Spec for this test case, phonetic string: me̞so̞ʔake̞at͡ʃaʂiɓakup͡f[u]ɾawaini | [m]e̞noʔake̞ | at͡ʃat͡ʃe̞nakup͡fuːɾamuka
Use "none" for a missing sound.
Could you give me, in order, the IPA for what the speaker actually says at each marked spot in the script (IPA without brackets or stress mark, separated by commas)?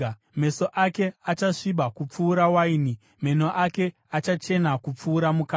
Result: uː, m